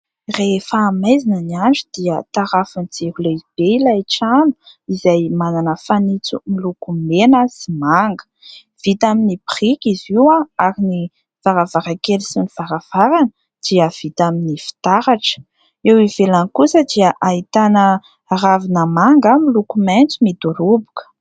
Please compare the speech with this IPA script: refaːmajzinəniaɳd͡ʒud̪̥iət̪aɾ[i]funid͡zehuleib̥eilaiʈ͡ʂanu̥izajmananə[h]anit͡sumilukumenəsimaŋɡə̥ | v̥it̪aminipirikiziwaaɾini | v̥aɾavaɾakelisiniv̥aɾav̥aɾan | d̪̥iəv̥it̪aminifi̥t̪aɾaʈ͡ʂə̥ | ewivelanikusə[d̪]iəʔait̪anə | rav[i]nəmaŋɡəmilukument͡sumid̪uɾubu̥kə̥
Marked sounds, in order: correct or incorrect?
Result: incorrect, incorrect, correct, correct

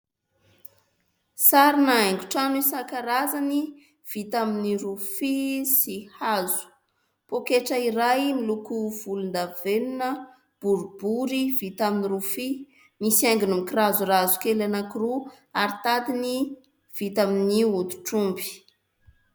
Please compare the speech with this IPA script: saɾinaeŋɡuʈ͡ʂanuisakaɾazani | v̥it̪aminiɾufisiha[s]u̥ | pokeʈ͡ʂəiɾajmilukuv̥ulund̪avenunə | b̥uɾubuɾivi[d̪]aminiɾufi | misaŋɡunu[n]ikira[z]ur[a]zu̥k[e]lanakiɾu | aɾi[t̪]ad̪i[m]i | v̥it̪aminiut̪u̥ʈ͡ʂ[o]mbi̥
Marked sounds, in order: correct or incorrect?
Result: incorrect, incorrect, incorrect, correct, correct, correct, correct, incorrect, incorrect

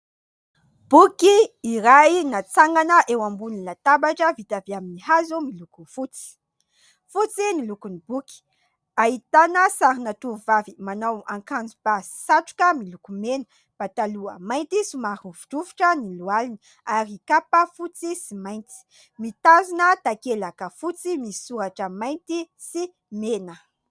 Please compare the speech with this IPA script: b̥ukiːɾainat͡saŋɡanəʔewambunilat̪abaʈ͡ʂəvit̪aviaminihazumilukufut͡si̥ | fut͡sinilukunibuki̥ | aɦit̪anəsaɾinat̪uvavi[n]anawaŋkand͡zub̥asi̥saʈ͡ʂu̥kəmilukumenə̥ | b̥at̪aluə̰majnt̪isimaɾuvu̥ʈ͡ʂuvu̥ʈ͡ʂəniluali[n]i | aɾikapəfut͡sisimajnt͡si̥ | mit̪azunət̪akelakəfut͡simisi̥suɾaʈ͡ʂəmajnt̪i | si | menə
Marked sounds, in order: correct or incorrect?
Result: incorrect, correct

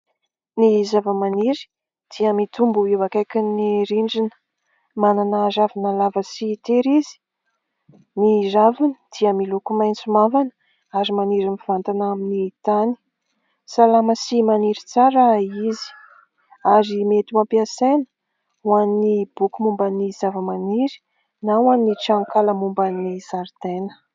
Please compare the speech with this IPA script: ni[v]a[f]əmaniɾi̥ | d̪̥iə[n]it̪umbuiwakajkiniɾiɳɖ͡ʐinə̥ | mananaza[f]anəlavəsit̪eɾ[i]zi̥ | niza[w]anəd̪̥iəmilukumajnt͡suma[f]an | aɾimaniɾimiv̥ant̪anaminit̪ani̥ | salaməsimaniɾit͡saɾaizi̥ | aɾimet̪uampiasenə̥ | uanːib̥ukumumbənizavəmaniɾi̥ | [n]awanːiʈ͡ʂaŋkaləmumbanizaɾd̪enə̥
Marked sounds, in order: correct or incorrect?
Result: incorrect, incorrect, incorrect, incorrect, correct, incorrect, incorrect, correct

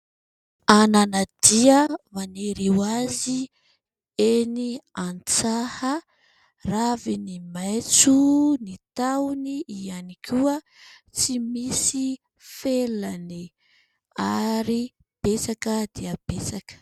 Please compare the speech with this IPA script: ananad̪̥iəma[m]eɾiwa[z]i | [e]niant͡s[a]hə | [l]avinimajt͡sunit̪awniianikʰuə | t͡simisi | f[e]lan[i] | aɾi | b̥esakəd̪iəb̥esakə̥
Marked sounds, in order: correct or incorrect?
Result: incorrect, correct, correct, correct, incorrect, correct, correct

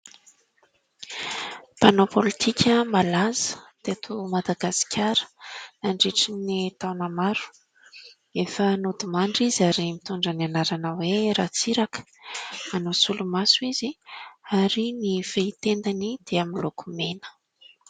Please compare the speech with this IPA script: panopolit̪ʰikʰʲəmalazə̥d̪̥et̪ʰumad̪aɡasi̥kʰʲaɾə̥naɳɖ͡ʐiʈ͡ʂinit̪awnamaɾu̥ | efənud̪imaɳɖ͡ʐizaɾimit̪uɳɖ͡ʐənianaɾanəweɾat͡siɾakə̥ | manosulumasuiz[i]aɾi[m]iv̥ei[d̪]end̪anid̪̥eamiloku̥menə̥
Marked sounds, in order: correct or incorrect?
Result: correct, incorrect, incorrect

